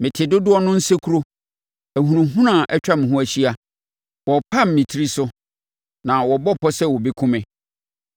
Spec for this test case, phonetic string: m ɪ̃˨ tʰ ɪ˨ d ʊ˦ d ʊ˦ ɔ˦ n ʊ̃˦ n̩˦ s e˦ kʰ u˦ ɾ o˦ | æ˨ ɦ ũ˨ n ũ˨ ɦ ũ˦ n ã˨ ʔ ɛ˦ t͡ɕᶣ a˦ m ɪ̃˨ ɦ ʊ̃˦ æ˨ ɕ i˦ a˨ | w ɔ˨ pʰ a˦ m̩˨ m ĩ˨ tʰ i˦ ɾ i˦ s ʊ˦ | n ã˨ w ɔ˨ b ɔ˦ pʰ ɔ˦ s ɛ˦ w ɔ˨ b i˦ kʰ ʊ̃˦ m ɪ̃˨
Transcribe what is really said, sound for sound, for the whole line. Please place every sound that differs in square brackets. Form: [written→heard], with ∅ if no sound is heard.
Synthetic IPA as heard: m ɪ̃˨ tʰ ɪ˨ d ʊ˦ d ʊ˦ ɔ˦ n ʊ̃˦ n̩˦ s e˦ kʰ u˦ ɾ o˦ | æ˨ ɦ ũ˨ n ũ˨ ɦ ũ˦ n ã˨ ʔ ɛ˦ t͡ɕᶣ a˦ m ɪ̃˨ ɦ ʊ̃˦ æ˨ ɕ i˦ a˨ | w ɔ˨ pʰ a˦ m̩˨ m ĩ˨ tʰ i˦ ɾ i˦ s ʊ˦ | n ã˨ w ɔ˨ b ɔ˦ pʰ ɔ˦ s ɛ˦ w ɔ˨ b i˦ kʰ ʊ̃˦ m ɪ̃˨

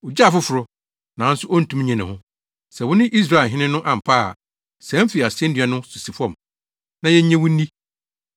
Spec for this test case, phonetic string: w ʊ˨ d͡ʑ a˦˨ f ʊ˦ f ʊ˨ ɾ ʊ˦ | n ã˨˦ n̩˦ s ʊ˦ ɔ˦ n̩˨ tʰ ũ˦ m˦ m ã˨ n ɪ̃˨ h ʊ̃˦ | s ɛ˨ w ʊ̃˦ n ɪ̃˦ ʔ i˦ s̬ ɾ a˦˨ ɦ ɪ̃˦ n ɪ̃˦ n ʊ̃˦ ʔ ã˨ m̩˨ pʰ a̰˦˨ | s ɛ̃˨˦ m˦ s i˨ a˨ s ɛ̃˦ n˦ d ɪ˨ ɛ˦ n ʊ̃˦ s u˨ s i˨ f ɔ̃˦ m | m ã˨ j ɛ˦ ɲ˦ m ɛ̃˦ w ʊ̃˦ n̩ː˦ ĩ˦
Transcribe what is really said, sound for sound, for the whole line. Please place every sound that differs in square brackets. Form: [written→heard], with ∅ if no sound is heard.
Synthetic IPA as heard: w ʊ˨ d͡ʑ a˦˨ f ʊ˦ f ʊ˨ ɾ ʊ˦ | n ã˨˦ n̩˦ s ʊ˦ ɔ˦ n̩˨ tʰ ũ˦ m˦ [m→ɲ] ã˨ n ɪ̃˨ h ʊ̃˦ | s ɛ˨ w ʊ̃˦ n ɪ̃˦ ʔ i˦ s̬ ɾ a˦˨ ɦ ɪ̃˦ n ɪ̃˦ n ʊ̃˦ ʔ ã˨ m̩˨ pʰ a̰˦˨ | s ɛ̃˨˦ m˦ [s→f] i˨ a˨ s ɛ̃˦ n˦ d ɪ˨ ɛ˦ n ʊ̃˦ s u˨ s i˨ f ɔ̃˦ m | [m→n] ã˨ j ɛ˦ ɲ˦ [m→ɲ] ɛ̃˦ w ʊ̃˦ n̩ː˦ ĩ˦

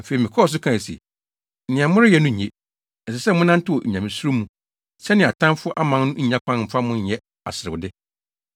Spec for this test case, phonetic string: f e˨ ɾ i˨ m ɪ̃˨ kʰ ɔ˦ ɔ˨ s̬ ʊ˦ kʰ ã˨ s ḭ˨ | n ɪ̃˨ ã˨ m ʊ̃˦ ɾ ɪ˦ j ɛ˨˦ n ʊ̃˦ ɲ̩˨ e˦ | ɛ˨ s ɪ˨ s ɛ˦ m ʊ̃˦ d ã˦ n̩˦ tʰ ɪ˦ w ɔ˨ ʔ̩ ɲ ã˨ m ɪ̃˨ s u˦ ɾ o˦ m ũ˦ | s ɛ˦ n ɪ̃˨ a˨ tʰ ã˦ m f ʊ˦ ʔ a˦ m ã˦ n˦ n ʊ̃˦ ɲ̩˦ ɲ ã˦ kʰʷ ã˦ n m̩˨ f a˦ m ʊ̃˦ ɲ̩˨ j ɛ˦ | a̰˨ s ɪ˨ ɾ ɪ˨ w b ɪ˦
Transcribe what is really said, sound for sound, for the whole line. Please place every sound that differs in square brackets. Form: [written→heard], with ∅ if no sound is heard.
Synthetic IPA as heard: f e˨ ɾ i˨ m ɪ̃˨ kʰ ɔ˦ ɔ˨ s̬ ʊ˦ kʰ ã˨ s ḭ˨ | n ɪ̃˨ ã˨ m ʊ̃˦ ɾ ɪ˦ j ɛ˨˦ n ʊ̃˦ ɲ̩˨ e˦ | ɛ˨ s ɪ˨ s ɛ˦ m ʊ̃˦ [d→n] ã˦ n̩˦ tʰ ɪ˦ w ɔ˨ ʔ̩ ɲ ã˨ m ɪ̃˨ s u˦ ɾ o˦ m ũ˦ | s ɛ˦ n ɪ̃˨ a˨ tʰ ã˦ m f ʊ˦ ʔ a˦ m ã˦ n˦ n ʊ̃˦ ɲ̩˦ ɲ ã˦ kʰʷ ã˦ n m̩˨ f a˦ m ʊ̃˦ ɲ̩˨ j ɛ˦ | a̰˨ s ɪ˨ ɾ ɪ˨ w [b→d] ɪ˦

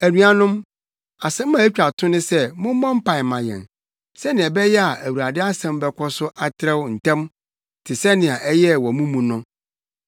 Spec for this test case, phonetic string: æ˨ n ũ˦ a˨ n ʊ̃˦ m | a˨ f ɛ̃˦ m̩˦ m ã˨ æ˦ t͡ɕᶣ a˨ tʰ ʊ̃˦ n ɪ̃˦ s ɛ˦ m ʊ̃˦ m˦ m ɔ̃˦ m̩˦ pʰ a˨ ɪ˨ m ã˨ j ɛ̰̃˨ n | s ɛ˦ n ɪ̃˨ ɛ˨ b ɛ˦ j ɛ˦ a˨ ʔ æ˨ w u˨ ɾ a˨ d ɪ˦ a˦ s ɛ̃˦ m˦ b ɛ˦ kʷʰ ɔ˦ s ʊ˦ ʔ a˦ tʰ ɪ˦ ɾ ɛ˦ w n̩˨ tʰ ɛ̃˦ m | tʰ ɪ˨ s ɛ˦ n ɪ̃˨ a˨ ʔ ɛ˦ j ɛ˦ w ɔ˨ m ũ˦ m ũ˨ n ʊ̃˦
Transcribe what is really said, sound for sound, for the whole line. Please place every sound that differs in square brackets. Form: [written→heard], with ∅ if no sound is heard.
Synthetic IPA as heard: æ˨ n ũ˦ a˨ n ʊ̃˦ m | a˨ [f→s] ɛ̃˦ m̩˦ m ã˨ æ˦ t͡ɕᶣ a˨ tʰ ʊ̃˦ n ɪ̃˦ s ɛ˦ m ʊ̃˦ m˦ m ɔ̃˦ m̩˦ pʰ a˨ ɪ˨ m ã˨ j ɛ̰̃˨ n | s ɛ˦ n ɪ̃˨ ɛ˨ b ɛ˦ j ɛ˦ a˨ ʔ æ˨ w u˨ ɾ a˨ d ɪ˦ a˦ s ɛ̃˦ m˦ b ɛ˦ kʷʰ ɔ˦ s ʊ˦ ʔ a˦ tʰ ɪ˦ ɾ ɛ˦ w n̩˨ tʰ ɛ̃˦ m | tʰ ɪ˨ s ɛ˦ n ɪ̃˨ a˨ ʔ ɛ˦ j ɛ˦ w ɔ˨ m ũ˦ m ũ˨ n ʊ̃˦

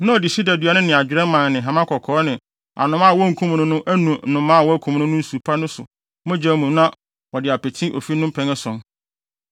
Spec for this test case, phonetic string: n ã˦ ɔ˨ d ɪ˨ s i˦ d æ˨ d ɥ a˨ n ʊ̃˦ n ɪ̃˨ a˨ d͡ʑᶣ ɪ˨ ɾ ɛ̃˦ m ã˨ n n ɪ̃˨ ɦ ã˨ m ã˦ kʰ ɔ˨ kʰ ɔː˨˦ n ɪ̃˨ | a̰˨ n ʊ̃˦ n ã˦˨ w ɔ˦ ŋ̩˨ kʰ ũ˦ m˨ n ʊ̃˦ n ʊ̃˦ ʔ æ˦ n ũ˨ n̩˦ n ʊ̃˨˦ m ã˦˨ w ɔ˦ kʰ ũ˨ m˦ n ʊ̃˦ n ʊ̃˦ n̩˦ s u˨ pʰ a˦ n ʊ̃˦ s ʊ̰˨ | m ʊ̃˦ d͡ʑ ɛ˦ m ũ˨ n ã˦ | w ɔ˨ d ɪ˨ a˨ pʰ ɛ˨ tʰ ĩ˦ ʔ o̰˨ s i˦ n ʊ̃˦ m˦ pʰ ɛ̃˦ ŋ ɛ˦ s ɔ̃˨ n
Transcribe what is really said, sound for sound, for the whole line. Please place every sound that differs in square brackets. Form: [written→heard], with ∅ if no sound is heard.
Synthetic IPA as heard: n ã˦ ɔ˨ d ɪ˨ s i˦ d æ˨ d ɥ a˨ n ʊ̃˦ n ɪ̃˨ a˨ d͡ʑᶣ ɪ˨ ɾ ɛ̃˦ m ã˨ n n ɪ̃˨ ɦ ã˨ m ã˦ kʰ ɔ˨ kʰ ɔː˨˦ n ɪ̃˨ | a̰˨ n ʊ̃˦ [n→m] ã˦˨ w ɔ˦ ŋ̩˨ kʰ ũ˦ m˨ n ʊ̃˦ n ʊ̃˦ ʔ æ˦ n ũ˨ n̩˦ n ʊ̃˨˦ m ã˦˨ w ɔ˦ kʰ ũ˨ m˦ n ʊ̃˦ n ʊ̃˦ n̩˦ s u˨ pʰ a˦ n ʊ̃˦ s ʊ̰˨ | m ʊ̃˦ d͡ʑ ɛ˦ m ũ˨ n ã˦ | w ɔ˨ d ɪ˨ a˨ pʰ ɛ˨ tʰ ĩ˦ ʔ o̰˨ [s→f] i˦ n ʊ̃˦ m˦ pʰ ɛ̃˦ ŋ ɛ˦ s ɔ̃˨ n

